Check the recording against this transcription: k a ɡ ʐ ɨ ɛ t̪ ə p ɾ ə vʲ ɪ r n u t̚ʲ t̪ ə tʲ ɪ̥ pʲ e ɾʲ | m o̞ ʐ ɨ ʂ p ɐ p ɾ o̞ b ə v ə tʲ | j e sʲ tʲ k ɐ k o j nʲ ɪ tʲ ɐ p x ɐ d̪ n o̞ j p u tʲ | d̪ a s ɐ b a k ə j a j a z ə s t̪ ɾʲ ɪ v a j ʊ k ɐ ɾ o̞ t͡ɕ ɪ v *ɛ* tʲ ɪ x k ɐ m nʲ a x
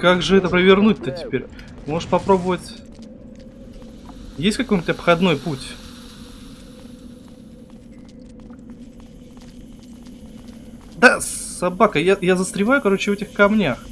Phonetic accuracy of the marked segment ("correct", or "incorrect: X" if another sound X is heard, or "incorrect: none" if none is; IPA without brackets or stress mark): correct